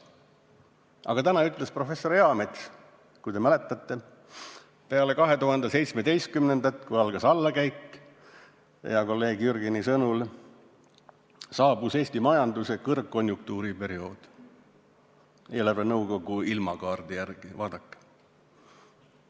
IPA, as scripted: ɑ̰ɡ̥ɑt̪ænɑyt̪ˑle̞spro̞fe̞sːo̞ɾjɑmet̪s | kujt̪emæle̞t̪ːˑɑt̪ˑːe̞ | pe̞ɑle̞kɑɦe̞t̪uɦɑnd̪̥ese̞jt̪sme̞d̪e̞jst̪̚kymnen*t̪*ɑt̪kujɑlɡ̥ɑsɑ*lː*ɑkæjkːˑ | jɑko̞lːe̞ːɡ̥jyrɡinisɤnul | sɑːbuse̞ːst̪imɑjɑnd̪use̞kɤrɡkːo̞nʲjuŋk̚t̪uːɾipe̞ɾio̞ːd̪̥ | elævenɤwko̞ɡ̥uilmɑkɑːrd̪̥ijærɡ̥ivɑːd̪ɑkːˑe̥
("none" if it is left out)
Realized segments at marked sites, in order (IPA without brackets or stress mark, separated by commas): d̪, lː